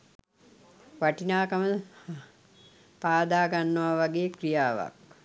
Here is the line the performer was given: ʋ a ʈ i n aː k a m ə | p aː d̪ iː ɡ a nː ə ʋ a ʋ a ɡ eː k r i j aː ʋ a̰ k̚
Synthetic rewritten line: ʋ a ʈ i n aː k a m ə | p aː d̪ aː ɡ a nː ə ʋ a ʋ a ɡ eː k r i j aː ʋ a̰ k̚